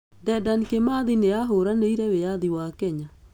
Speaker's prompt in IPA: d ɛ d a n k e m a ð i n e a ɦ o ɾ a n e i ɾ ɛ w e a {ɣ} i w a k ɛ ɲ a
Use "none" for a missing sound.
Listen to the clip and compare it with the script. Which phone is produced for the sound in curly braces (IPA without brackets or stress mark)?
ð